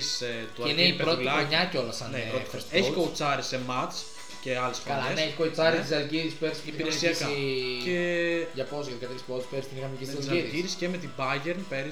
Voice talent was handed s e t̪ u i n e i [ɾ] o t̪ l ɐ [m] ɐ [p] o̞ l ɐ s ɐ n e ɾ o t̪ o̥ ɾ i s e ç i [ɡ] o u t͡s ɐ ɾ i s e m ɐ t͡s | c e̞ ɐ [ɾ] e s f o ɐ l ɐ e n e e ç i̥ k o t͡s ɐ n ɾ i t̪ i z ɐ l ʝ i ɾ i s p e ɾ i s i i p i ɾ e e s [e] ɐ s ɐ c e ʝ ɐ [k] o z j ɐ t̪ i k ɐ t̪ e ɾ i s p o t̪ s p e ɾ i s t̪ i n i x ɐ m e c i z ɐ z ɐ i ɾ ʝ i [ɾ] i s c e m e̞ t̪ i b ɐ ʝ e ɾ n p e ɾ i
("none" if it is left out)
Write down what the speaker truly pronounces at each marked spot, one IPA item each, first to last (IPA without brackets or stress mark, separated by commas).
ɾ, ɲ, c, k, l, i, p, ɾ